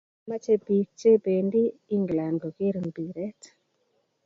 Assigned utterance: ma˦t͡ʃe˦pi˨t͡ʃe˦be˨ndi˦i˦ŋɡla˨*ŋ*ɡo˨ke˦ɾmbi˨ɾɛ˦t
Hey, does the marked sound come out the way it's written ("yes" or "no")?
no